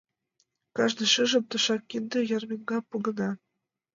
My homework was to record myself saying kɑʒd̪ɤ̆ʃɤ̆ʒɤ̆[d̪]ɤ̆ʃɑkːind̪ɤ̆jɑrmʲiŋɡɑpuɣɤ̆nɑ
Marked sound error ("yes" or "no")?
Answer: yes